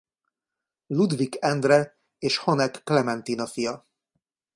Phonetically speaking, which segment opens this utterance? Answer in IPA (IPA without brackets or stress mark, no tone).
l